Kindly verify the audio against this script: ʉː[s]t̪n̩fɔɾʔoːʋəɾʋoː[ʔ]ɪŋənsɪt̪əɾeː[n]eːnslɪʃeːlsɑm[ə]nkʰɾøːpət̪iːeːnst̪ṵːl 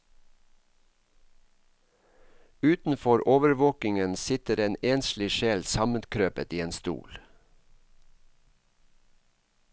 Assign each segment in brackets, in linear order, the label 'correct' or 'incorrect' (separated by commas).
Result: incorrect, incorrect, correct, correct